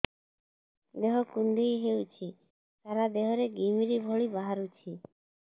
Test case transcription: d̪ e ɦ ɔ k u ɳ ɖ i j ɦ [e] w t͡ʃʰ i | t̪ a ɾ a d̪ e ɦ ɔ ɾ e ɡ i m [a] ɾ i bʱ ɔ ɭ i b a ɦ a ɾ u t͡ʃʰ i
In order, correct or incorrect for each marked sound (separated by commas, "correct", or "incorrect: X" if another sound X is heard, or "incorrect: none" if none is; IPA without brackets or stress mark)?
correct, incorrect: i